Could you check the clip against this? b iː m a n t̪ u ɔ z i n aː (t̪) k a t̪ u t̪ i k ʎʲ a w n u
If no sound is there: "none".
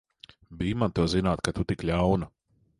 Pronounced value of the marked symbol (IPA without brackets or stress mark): t̪